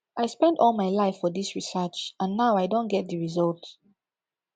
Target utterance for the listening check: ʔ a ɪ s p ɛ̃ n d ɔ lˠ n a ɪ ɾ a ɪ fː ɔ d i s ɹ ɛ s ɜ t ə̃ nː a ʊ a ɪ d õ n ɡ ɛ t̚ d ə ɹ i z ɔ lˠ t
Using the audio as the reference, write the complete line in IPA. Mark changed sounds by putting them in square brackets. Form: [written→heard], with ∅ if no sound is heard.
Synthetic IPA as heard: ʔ a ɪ s p ɛ̃ n d ɔ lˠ [n→m] a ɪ [ɾ→l] a ɪ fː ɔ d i s ɹ [ɛ→i] s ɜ [t→t͡ʃ] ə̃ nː a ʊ a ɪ d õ n ɡ ɛ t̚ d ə ɹ i z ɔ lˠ t